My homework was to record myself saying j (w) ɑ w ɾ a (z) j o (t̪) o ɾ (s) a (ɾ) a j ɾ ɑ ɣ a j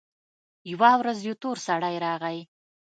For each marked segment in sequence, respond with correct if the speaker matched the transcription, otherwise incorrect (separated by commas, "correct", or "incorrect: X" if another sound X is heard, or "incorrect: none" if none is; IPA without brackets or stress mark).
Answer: correct, correct, correct, correct, incorrect: ɽ